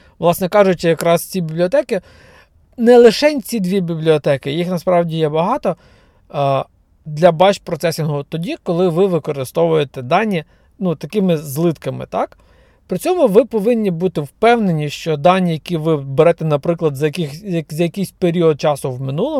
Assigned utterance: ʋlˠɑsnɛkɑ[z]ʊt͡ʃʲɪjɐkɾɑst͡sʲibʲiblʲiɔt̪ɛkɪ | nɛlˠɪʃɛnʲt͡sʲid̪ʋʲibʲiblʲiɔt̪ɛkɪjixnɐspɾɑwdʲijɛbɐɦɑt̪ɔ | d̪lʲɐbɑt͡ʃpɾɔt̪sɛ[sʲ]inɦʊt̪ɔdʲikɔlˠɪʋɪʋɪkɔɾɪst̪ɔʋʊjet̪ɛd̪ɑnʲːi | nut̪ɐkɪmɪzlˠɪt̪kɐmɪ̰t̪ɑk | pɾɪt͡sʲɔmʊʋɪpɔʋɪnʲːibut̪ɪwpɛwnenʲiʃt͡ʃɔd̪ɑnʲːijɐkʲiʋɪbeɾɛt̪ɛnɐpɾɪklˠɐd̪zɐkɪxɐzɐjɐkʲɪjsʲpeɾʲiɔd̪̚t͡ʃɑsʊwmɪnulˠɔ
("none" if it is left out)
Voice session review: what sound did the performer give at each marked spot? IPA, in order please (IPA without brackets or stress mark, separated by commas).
ʒ, sʲ